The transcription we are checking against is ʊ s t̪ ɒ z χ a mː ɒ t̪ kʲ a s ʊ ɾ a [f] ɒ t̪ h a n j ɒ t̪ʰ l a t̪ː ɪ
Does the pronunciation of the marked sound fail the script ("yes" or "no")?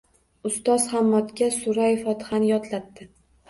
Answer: no